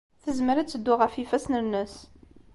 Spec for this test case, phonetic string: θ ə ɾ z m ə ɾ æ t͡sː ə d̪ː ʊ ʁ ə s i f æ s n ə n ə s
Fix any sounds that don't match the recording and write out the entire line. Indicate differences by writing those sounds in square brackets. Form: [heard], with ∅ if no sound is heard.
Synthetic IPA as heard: θ ə [∅] z m ə ɾ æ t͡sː ə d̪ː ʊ ʁ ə [f] i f æ s n ə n ə s